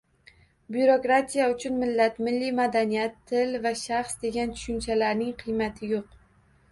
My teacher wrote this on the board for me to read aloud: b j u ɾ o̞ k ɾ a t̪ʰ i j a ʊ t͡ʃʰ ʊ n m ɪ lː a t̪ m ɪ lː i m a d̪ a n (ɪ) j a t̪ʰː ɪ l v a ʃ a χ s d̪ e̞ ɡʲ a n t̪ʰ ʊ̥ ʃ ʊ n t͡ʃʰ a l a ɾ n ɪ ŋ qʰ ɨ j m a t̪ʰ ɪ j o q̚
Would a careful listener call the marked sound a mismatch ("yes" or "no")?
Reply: yes